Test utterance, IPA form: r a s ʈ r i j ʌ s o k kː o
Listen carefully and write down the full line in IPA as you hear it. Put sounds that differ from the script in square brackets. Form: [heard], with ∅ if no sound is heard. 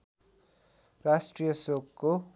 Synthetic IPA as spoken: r a s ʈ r i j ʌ s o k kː o